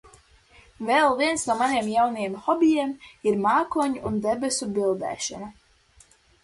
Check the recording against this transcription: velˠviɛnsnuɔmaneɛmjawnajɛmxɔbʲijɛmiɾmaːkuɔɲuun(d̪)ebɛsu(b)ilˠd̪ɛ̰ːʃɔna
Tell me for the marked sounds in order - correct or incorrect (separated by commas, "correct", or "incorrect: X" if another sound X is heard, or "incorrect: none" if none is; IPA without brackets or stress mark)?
correct, correct